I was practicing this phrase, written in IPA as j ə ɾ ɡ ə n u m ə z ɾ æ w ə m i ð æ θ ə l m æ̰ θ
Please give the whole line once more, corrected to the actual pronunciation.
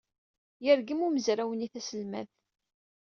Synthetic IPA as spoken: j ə ɾ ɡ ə m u m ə z ɾ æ w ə n i θ æ s ə l m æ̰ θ

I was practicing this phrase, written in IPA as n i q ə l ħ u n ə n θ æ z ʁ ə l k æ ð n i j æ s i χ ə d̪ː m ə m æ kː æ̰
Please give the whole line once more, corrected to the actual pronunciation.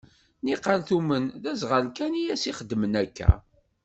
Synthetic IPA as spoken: n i q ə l θ u m ə n ð æ z ʁ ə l k æ n i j æ s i χ ə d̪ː m ə n æ kː æ̰

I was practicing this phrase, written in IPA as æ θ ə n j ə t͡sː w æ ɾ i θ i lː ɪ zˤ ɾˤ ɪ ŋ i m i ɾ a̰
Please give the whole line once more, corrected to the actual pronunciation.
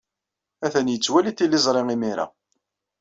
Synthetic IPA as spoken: æ θ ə n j ə t͡sː w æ l i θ i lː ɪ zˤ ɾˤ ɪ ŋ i m i ɾ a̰

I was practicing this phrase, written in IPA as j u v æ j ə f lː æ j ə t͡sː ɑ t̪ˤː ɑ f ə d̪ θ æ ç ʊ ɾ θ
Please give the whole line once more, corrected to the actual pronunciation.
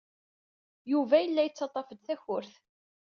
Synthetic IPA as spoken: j u v æ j ə lː æ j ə t͡sː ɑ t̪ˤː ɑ f ə d̪ θ æ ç ʊ ɾ θ

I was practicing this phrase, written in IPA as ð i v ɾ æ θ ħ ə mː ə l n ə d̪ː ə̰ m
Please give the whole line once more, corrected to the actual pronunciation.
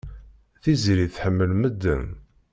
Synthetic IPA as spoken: θ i z ɾ i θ ħ ə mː ə l m ə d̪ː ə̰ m

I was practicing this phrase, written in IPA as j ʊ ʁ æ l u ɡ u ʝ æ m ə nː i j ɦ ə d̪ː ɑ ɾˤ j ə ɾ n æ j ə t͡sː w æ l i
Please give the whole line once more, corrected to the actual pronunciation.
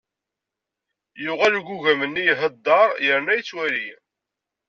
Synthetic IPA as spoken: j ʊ ʁ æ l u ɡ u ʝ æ m ə nː i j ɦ ə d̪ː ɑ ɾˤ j ə ɾ n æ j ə t͡sː w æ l i

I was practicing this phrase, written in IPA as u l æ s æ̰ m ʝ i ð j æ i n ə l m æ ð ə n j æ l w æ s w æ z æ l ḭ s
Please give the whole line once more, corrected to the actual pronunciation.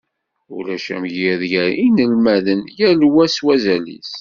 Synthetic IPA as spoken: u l æ ʃ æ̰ m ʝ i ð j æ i n ə l m æ ð ə n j æ l w æ s w æ z æ l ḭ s

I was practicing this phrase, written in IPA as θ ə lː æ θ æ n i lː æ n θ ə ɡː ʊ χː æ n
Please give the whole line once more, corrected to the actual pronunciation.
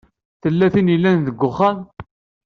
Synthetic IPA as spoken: θ ə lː æ θ i n i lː æ n ð ə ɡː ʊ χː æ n

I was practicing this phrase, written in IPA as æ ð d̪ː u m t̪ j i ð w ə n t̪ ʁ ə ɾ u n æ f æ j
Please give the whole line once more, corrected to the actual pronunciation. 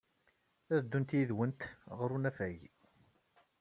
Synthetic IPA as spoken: æ ð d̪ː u n t̪ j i ð w ə n t̪ ʁ ə ɾ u n æ f æ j

